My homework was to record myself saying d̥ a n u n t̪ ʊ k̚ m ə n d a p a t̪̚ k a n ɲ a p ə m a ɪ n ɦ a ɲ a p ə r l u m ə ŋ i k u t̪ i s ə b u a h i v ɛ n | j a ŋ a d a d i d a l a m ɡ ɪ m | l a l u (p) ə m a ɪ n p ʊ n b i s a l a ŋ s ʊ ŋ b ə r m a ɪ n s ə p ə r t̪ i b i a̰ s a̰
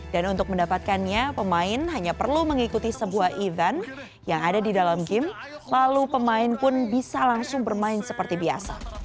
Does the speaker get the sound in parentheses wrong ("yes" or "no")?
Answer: no